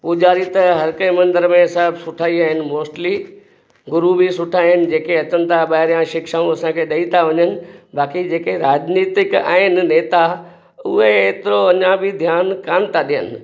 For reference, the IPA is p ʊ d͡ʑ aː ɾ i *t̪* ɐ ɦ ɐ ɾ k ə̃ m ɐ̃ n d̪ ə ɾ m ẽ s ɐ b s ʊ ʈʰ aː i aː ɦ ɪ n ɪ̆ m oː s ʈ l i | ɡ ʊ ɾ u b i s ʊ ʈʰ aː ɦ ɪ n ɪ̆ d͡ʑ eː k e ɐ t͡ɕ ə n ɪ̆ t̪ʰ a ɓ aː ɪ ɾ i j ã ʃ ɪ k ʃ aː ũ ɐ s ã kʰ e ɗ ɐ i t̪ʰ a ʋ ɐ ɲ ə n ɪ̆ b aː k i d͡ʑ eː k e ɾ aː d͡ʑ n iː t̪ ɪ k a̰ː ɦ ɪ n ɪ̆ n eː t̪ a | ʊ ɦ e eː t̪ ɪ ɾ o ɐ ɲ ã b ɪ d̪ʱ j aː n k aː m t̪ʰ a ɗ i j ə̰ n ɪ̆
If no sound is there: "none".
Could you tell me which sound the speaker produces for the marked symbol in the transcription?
t̪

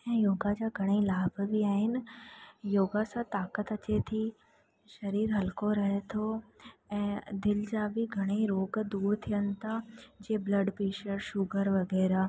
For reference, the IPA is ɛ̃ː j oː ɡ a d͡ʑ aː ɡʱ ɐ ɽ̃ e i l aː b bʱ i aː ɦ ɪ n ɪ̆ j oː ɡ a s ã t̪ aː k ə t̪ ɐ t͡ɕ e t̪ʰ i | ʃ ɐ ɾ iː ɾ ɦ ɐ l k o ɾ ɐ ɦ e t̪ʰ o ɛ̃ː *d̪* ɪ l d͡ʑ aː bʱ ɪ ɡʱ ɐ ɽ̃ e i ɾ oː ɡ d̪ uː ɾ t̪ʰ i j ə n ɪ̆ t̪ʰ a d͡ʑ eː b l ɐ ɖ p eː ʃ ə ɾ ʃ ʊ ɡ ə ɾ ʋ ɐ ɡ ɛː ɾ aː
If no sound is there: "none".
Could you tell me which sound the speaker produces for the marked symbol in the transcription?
d̪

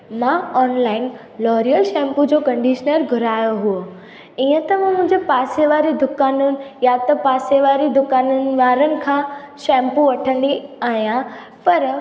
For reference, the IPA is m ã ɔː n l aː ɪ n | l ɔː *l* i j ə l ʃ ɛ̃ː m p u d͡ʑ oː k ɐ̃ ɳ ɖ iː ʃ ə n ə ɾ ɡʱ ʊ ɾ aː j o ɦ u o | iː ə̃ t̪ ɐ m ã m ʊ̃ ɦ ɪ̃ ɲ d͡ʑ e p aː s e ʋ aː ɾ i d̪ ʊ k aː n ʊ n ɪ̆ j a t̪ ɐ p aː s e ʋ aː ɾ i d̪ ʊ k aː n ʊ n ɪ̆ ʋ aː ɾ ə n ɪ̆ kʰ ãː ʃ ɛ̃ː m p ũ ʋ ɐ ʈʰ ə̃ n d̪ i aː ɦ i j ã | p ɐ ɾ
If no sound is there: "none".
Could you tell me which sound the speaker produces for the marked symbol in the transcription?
ɾ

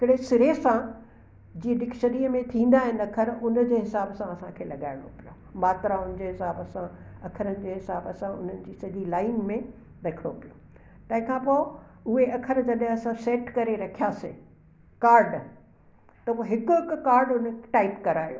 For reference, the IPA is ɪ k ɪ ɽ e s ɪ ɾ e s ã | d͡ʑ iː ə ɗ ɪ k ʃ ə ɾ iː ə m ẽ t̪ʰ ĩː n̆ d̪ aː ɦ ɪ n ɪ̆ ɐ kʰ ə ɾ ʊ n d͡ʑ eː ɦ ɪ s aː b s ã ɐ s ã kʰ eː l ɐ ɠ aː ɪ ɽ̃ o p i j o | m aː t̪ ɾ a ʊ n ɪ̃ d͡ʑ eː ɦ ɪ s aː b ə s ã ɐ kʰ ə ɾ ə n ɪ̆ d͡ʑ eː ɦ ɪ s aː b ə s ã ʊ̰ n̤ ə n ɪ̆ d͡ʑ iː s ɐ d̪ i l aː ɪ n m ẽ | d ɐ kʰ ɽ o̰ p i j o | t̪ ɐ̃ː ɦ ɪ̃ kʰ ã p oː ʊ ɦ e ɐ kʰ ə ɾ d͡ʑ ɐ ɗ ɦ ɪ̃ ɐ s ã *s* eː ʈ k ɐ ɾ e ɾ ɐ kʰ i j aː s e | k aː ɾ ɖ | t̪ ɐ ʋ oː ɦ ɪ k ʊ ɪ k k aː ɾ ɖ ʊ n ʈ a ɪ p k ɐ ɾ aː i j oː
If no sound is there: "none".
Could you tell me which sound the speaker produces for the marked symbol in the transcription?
s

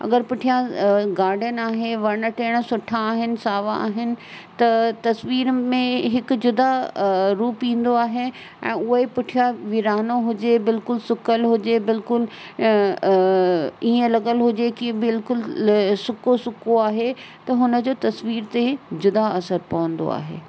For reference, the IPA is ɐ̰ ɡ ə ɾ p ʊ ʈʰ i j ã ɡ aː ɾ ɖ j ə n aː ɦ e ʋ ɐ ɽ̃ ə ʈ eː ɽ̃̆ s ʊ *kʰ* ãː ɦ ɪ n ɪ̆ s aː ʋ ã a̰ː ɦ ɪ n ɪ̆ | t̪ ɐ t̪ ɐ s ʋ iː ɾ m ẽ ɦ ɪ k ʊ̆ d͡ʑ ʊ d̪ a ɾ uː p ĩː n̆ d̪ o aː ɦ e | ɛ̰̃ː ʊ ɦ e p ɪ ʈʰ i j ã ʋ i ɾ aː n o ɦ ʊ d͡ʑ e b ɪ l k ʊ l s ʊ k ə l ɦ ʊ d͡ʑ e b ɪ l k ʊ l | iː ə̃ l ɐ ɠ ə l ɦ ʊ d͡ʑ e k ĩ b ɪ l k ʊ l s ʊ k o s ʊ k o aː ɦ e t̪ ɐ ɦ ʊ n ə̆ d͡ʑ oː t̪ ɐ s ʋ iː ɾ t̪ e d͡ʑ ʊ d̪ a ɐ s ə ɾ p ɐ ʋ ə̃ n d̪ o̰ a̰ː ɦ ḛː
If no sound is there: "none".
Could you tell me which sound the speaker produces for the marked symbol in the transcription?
ʈʰ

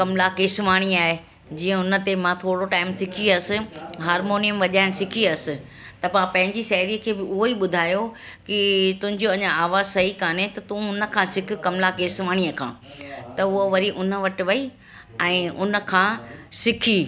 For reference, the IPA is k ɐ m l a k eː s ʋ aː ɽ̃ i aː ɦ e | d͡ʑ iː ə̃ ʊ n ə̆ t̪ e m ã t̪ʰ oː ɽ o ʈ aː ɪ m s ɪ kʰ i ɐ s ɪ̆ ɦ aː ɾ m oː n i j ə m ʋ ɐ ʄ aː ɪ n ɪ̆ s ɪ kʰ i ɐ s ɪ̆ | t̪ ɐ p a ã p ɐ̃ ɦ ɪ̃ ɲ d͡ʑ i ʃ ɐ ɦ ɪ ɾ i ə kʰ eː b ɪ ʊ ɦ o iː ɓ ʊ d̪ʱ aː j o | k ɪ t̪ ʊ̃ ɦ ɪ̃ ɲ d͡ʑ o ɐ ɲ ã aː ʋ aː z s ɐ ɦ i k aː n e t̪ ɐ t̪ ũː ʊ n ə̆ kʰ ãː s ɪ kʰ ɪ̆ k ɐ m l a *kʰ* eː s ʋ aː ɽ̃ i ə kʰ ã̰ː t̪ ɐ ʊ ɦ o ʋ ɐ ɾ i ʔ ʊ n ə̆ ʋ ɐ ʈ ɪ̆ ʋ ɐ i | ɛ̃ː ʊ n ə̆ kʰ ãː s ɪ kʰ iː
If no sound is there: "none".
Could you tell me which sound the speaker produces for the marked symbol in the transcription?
k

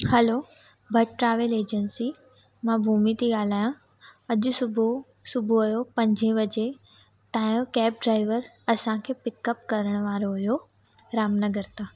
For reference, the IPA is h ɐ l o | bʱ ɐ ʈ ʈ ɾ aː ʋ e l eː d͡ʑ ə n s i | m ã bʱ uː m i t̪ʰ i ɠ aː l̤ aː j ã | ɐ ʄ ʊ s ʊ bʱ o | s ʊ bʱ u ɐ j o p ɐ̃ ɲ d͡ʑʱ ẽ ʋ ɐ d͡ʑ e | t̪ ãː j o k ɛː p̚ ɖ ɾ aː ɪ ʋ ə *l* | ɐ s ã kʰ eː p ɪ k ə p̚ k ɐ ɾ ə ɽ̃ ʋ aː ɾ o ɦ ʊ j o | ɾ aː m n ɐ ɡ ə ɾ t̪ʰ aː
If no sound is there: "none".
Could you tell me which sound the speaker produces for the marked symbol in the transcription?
ɾ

